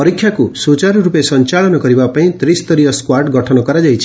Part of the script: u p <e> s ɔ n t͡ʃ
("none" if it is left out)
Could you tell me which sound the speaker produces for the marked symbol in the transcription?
e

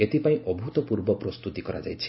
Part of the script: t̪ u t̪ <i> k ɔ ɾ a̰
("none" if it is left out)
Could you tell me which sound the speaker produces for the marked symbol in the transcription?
i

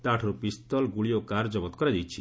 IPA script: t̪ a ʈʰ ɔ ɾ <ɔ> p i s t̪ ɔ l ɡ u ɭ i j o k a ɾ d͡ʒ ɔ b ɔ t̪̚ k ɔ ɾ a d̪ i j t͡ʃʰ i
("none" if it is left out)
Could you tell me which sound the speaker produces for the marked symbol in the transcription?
u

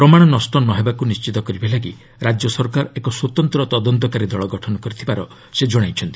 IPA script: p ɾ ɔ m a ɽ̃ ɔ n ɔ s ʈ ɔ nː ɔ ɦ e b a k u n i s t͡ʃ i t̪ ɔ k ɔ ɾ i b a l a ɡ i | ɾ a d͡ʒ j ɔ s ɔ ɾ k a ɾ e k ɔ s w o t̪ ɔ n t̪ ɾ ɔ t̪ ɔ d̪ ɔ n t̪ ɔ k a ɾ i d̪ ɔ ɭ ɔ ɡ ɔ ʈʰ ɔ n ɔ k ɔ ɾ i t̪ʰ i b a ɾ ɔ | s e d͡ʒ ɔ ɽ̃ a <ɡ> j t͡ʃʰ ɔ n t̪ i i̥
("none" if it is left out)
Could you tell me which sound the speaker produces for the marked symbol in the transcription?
none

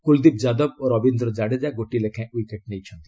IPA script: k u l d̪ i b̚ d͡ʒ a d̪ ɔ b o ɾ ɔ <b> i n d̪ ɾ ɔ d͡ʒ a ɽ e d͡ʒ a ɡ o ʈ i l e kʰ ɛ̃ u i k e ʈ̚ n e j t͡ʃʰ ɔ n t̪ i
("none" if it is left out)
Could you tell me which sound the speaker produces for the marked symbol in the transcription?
b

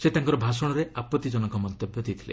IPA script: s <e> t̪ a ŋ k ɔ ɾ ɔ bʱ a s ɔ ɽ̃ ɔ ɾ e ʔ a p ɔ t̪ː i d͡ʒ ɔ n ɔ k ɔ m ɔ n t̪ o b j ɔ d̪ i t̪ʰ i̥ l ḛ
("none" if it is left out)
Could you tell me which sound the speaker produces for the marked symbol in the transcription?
e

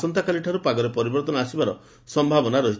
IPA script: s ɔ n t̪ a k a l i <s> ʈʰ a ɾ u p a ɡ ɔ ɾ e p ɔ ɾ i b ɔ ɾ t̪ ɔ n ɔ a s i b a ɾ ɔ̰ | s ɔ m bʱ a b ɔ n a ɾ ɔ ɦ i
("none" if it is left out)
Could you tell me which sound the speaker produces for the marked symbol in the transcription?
none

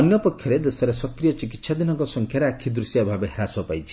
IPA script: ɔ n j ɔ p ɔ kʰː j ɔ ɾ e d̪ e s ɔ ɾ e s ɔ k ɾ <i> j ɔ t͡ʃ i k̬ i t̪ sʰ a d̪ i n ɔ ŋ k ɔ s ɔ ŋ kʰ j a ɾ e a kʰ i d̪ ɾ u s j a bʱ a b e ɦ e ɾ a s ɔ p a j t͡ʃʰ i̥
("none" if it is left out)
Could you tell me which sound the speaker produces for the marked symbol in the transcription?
i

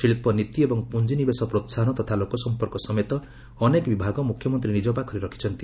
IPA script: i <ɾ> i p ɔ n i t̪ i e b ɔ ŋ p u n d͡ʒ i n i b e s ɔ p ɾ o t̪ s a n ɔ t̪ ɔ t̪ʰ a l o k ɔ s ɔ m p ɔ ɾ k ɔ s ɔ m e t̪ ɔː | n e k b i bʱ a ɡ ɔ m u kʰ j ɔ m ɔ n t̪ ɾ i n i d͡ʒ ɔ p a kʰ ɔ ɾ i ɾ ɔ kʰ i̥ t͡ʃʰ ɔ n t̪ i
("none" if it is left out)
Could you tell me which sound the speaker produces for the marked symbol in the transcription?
ɭ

